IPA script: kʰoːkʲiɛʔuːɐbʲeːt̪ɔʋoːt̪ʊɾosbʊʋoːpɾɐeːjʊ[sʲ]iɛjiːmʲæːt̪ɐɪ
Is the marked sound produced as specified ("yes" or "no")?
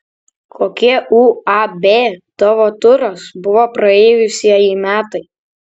yes